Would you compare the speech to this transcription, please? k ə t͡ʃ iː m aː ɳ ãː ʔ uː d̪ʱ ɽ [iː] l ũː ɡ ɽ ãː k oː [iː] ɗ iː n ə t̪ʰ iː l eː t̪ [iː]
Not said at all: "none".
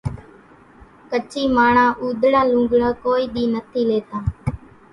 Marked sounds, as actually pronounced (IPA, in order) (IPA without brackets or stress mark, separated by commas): aː, iː, aː